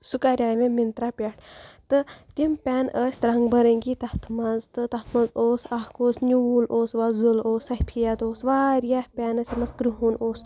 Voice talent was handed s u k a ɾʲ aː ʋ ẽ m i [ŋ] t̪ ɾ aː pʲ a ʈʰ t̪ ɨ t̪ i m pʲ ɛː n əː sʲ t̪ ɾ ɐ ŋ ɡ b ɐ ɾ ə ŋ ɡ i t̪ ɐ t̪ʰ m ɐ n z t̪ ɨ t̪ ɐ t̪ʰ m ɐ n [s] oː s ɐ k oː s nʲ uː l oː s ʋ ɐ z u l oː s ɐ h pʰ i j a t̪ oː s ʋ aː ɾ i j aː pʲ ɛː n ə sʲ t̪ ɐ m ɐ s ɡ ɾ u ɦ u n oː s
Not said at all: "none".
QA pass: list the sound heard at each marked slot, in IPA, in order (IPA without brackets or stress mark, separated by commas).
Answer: n, z